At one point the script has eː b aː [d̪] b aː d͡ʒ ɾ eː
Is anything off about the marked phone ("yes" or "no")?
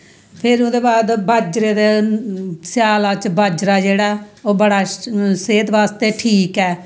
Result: no